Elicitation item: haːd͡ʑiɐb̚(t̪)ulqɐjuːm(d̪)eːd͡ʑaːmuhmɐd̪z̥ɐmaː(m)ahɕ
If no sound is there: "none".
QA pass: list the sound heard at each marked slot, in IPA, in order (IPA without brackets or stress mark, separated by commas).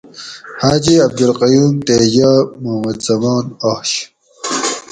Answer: d̪, t̪, n